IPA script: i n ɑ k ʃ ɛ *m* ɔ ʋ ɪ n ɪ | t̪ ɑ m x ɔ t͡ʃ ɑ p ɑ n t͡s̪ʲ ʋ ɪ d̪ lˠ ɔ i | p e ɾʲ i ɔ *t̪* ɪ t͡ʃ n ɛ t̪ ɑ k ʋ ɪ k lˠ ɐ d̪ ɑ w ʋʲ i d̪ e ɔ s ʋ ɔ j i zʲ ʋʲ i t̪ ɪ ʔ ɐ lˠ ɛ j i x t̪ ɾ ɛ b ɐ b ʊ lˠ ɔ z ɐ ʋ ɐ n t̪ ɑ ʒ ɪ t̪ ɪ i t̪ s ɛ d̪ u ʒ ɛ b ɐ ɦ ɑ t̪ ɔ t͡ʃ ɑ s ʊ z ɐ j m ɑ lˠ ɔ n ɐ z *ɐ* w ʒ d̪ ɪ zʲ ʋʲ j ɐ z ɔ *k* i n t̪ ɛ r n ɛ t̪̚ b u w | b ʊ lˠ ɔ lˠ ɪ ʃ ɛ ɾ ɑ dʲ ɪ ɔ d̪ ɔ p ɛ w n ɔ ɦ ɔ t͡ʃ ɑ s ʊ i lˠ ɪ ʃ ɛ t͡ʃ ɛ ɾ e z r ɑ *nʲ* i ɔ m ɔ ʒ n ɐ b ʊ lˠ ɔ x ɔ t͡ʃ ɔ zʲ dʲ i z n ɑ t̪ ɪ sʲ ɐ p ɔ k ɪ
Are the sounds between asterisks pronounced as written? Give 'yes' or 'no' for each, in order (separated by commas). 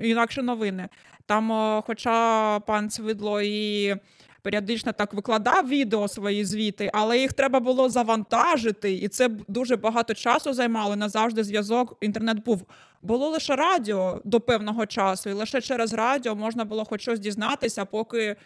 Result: no, no, no, yes, no